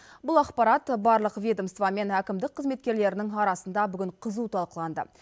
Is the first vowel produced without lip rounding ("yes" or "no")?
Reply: no